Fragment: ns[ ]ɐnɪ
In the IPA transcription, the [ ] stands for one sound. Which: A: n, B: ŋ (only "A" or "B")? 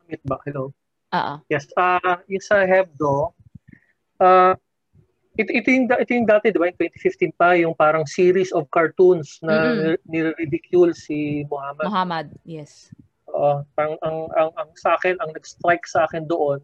A